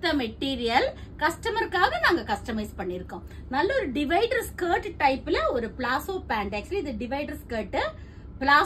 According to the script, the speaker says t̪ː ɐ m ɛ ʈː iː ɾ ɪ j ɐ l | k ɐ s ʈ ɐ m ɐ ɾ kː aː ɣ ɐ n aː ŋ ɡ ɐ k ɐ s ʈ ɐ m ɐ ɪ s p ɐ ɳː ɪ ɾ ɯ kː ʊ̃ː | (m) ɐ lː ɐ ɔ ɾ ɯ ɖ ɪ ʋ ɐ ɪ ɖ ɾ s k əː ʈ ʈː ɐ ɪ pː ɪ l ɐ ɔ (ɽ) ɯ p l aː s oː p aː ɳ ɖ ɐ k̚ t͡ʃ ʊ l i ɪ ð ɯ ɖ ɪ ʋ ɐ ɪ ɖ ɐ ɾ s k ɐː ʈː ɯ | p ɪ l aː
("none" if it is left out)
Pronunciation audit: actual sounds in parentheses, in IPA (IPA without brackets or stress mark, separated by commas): n, ɾ